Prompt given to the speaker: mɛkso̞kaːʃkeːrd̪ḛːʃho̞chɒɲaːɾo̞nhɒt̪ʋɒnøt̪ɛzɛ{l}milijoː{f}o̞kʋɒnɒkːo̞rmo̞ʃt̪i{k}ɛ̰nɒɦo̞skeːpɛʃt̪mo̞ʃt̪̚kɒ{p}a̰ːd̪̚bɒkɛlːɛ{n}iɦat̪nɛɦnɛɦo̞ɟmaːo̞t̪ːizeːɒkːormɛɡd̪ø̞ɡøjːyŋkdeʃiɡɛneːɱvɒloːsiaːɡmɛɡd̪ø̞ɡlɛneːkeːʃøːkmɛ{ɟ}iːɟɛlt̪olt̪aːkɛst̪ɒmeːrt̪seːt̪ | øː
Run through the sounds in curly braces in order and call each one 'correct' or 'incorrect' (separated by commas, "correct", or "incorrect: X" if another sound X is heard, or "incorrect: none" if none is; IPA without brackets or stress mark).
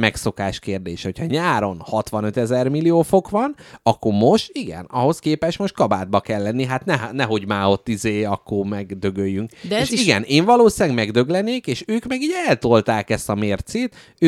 incorrect: r, correct, incorrect: ɡ, incorrect: b, incorrect: nː, incorrect: ɡ